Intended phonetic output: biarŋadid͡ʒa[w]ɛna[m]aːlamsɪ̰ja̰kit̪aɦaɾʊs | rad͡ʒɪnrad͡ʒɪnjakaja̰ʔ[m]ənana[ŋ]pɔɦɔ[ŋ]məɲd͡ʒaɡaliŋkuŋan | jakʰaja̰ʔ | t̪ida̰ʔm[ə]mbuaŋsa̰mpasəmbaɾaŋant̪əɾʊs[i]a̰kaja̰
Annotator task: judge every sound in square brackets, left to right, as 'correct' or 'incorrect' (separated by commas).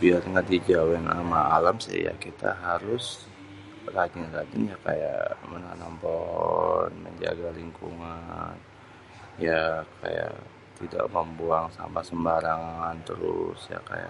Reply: correct, correct, correct, incorrect, incorrect, correct, incorrect